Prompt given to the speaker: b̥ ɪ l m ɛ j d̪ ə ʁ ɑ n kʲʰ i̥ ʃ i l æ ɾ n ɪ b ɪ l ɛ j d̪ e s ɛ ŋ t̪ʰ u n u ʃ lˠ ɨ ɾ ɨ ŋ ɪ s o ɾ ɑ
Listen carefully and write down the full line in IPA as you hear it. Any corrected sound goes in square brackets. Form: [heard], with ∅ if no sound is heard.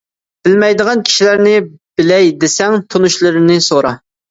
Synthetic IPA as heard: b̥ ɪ l m ɛ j d̪ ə ʁ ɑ n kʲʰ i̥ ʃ i l æ ɾ n ɪ b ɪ l ɛ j d̪ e s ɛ ŋ t̪ʰ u n u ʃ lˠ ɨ ɾ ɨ [n] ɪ s o ɾ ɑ